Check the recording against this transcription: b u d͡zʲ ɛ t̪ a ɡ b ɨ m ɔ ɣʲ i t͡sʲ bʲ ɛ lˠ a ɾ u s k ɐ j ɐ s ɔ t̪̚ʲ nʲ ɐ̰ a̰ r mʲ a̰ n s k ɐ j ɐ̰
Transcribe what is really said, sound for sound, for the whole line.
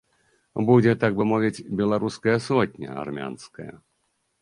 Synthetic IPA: b u d͡zʲ ɛ t̪ a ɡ b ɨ m ɔ vʲ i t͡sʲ bʲ ɛ lˠ a ɾ u s k ɐ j ɐ s ɔ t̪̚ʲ nʲ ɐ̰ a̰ r mʲ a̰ n s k ɐ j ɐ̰